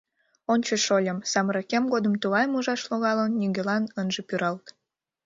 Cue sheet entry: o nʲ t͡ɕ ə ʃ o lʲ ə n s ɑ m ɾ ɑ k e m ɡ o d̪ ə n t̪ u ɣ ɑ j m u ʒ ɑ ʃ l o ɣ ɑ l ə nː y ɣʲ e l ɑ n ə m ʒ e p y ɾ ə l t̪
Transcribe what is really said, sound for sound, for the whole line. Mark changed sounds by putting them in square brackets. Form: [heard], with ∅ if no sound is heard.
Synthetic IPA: o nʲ t͡ɕ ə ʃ o lʲ ə [m] s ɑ m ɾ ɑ k e m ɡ o d̪ ə [m] t̪ u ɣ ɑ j m u ʒ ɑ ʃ l o ɣ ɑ l ə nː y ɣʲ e l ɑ n ə [n] ʒ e p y ɾ [ɑ] l t̪